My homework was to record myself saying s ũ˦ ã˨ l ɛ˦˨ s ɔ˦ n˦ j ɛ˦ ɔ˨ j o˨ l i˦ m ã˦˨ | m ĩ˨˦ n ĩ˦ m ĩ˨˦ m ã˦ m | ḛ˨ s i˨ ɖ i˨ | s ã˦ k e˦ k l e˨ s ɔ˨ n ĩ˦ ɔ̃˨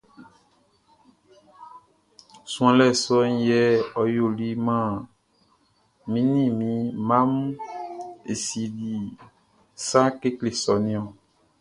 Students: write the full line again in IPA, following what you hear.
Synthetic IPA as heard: s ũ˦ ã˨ l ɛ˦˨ s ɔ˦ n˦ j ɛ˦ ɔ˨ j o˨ l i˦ m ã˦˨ | m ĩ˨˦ n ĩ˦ m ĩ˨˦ m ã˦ m | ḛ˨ s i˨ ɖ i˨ | s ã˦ k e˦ k l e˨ s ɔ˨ n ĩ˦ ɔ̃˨

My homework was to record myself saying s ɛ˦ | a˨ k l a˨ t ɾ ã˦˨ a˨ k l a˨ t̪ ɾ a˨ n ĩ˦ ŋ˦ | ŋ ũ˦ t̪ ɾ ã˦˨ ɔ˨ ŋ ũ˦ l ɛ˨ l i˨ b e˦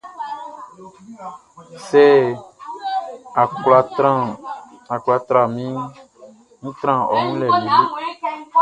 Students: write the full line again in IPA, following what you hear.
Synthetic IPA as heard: s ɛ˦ | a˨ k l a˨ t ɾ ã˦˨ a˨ k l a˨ t̪ ɾ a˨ m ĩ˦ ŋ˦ | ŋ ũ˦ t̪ ɾ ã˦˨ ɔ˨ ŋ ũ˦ l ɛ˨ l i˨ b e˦

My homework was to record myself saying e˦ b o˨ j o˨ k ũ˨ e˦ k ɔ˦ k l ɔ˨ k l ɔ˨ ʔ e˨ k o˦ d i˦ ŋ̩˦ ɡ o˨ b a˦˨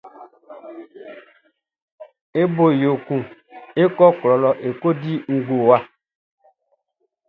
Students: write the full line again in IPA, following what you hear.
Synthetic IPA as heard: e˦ b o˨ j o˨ k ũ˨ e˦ k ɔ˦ k l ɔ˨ l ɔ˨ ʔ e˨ k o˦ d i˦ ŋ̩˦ ɡ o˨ w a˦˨

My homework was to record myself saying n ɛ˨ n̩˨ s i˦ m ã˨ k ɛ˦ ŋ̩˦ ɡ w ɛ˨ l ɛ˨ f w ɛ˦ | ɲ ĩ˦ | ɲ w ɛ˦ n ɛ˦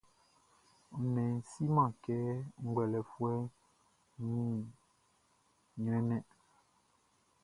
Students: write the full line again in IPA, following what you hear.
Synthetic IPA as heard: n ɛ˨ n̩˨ s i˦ m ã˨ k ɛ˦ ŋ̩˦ ɡ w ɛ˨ l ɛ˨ f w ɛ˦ | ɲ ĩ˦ | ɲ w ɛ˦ n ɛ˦

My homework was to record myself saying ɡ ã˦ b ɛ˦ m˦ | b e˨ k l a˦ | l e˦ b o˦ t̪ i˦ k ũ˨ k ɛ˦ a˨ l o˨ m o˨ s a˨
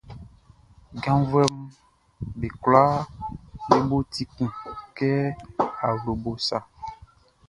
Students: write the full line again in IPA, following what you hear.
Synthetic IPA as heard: ɡ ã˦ v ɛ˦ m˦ | b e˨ k l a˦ | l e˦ b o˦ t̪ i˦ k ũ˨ k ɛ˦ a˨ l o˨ b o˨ s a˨

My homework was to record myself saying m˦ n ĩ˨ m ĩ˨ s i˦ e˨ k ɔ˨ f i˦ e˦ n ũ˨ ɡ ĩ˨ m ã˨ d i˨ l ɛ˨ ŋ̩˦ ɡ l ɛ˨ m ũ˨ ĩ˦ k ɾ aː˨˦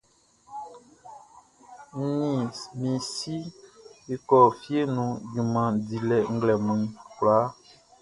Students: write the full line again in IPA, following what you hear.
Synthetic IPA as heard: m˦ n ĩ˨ m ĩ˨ s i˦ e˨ k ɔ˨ f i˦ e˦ n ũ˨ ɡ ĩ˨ m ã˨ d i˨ l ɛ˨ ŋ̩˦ ɡ l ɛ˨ m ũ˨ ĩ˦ k l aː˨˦

